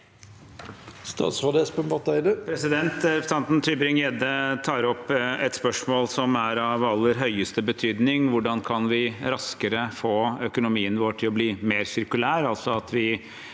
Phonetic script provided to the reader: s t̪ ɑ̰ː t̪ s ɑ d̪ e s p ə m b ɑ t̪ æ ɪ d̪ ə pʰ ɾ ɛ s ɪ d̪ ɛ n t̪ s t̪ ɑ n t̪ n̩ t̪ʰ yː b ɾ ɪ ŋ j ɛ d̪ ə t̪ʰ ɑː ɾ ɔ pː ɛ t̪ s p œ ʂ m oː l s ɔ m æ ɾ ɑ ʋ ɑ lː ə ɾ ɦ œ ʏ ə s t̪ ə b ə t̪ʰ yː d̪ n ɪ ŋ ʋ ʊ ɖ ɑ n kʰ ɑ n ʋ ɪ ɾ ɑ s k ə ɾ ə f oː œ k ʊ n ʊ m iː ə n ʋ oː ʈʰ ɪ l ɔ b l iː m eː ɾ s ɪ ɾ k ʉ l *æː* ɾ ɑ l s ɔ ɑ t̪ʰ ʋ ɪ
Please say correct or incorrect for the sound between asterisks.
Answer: correct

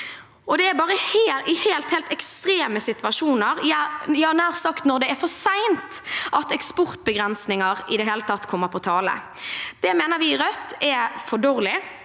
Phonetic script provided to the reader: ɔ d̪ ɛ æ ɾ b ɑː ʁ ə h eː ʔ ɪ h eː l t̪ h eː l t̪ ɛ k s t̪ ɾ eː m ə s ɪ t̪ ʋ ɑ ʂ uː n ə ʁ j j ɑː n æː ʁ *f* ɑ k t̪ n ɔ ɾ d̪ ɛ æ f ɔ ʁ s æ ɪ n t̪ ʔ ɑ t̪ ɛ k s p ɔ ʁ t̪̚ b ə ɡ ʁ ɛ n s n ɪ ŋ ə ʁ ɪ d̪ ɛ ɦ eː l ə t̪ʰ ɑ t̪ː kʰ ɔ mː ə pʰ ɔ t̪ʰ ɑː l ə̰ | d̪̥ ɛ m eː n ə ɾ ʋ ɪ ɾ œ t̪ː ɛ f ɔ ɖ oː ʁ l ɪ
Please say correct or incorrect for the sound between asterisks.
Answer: incorrect: s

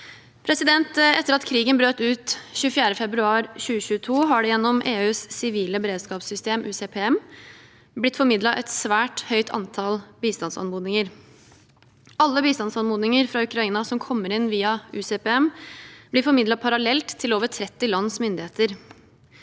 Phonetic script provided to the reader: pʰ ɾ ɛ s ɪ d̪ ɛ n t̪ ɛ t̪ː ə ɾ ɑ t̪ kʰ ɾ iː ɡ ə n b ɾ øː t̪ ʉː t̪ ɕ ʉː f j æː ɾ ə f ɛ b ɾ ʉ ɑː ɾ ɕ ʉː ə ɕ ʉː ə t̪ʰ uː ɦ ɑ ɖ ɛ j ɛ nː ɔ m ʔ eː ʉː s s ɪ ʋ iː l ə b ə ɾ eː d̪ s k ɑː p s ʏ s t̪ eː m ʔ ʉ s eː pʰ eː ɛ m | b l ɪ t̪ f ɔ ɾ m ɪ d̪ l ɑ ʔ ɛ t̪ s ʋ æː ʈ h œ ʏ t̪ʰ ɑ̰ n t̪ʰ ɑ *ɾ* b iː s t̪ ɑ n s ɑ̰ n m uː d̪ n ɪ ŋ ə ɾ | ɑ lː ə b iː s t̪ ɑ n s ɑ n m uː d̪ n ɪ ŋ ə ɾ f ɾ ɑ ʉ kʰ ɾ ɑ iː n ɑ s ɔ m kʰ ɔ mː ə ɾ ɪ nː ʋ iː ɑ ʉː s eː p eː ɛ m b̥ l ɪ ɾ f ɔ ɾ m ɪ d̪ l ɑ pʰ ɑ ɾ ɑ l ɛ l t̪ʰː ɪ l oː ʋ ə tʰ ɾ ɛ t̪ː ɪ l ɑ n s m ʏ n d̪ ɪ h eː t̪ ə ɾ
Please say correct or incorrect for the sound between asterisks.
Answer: incorrect: l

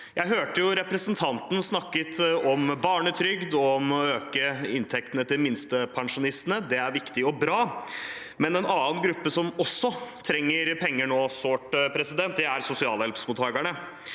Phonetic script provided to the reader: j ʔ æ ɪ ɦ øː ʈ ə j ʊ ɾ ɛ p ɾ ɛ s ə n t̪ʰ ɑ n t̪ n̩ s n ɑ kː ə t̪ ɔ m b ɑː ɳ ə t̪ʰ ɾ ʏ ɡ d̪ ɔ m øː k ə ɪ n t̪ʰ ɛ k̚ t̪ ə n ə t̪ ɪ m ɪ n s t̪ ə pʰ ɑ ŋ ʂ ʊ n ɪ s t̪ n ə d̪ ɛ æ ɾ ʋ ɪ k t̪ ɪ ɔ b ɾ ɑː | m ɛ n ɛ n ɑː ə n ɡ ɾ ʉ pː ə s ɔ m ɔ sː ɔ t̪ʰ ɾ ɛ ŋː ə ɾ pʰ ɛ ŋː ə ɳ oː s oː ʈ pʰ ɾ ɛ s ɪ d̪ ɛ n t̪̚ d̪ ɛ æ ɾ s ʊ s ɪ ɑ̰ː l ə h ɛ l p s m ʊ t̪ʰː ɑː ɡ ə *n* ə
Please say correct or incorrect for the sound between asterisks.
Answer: incorrect: ɳ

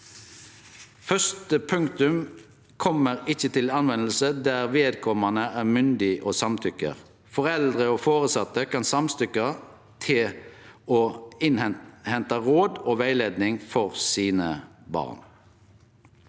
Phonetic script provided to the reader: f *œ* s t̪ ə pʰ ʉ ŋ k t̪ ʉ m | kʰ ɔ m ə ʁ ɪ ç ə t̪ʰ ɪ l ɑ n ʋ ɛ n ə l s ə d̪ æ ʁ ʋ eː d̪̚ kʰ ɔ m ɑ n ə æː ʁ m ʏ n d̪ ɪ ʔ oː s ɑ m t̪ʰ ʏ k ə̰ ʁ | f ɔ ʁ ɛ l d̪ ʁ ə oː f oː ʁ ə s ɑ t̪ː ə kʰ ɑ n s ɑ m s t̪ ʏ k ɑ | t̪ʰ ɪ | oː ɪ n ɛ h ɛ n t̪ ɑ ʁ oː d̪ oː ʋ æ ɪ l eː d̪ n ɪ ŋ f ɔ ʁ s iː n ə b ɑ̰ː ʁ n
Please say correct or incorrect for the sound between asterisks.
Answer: correct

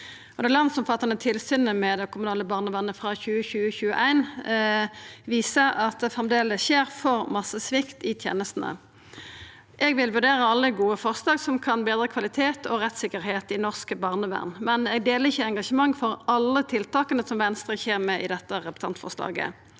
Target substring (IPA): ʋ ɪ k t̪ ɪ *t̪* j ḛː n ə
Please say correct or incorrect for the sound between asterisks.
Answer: incorrect: t̪ʰ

